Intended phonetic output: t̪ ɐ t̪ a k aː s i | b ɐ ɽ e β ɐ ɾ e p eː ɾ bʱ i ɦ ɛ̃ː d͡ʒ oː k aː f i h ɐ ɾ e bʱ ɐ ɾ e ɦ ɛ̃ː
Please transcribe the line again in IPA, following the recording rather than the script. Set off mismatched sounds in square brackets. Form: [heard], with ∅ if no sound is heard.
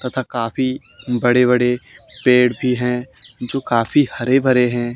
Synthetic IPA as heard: t̪ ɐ [t̪ʰ] a k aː [f] i | b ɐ ɽ e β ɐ [ɽ] e p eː [ɽ] bʱ i ɦ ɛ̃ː d͡ʒ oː k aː f i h ɐ ɾ e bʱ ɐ ɾ e ɦ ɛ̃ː

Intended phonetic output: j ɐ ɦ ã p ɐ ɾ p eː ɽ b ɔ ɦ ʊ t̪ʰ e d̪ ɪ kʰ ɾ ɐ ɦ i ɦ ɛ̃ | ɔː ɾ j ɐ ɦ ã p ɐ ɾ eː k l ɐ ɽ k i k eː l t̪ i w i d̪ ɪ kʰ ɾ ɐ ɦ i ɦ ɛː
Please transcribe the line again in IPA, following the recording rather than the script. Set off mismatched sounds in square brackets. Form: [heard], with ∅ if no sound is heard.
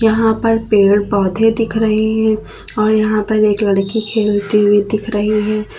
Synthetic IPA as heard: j ɐ ɦ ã p ɐ ɾ p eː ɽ b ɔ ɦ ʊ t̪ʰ e d̪ ɪ kʰ ɾ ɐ ɦ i ɦ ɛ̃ | ɔː ɾ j ɐ ɦ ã p ɐ ɾ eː k l ɐ ɽ k i [kʰ] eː l t̪ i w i d̪ ɪ kʰ ɾ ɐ ɦ i ɦ ɛː

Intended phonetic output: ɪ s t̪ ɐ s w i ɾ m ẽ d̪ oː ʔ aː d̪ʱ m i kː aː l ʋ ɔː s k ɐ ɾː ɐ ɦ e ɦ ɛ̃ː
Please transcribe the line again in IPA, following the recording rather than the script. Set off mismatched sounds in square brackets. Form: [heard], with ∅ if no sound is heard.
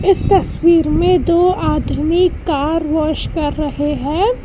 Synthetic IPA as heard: ɪ s t̪ ɐ s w [iː] ɾ m ẽ d̪ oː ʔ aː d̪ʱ m i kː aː [ɾ] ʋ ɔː [ʃ] k ɐ ɾː ɐ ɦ e ɦ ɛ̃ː

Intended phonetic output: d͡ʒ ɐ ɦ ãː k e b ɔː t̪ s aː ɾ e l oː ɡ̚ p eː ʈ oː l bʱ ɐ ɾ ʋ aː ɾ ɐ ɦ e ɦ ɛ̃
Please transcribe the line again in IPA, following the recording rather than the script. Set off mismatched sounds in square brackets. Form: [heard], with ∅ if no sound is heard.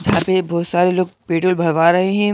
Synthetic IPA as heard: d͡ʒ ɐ ɦ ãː [p] e b ɔː t̪ s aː ɾ e l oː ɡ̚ p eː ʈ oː l bʱ ɐ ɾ ʋ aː ɾ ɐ ɦ e ɦ ɛ̃

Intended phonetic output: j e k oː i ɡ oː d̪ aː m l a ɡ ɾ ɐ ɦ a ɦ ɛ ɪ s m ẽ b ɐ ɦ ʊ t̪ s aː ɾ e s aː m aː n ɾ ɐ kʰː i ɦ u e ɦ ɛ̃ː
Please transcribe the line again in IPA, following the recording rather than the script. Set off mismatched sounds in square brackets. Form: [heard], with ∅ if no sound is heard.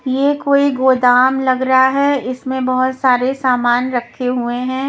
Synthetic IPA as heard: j e k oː i ɡ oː d̪ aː m l [ɐ] ɡ ɾ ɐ ɦ a ɦ ɛ ɪ s m ẽ b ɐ ɦ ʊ t̪ s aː ɾ e s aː m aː n ɾ ɐ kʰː [e] ɦ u e ɦ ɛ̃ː

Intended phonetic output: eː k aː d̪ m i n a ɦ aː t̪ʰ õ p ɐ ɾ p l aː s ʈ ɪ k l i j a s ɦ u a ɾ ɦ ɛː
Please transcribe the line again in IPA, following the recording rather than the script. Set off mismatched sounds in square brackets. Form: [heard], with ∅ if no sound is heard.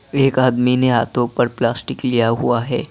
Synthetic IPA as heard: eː k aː d̪ m i n [e] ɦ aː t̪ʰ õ p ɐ ɾ p l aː s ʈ ɪ k l i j a [∅] ɦ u a [∅] ɦ ɛː

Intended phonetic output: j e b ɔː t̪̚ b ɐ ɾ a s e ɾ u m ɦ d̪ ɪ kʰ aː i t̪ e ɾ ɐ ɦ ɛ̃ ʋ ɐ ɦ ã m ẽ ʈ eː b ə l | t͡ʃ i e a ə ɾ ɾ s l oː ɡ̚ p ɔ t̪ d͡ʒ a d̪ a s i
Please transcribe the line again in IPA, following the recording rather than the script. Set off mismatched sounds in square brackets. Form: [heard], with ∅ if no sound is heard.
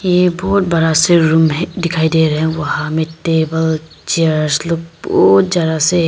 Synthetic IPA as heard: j e b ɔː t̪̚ b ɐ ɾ a s e ɾ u m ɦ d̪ ɪ kʰ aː i [d̪] e ɾ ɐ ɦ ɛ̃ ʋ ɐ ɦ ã m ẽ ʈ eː b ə l | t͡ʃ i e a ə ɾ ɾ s l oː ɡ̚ [b] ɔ t̪ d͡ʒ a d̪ a s [e]

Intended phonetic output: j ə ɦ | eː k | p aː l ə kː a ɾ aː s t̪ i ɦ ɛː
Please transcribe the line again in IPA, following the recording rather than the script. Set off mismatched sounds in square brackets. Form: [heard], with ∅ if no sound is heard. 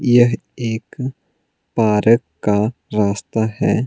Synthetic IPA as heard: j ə ɦ | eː k | p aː [ɾ] ə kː a ɾ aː s t̪ [a] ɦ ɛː

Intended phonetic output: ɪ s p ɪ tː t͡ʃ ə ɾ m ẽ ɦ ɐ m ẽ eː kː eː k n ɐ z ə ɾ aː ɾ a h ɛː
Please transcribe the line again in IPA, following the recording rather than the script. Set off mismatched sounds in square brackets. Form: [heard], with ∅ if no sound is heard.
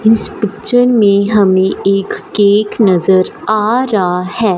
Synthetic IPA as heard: ɪ s p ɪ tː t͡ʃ ə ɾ m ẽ ɦ ɐ m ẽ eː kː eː k n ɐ z ə ɾ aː ɾ a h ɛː

